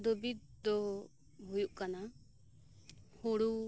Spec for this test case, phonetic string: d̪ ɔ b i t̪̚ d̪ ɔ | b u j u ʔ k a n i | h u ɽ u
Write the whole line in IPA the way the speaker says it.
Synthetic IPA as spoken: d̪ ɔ b i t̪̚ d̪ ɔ | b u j u ʔ k a n a | h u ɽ u

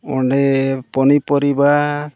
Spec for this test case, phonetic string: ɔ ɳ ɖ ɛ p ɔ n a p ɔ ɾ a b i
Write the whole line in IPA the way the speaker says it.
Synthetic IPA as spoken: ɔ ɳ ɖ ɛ p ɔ n i p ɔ ɾ i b a

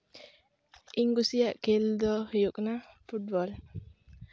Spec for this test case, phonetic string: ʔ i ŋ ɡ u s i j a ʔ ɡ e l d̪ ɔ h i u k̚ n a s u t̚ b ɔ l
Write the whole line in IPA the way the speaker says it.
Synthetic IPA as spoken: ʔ i ŋ ɡ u s i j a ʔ k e l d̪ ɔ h j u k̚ n a f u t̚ b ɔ l

